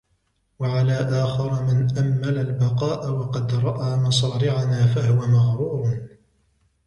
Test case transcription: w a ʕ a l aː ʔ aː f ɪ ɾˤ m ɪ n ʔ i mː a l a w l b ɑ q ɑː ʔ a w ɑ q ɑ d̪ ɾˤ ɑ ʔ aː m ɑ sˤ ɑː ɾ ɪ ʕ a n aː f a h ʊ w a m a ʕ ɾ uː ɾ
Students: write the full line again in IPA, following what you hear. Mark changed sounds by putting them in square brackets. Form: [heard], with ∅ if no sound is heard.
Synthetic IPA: w a ʕ a l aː ʔ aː [x] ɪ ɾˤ m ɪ n ʔ [a] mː a l a [∅] l b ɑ q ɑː ʔ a w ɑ q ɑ d̪ ɾˤ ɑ ʔ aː m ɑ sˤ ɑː ɾ ɪ ʕ a n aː f a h ʊ w a m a [ɣ] ɾ uː ɾ